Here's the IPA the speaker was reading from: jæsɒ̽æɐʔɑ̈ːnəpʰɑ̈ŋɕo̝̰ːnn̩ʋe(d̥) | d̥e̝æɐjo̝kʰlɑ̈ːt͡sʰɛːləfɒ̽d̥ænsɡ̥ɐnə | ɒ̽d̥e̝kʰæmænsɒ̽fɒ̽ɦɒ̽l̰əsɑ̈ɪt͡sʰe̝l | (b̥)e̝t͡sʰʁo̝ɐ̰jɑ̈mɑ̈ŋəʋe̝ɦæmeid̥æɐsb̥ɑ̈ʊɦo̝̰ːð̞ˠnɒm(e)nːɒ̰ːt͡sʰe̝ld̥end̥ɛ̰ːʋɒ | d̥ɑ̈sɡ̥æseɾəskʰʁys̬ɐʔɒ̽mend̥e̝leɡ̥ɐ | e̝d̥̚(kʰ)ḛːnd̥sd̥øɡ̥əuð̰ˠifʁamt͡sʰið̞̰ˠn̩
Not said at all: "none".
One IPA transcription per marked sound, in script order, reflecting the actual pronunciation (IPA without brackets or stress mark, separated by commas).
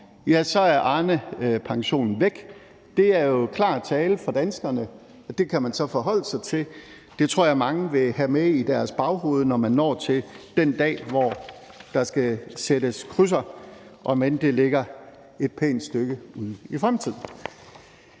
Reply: ɡ̥, d̥, æ, pʰ